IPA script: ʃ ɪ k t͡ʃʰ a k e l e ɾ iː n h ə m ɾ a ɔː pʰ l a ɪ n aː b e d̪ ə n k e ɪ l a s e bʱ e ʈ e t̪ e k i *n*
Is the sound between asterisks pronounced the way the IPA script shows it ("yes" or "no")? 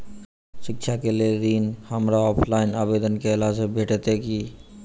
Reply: no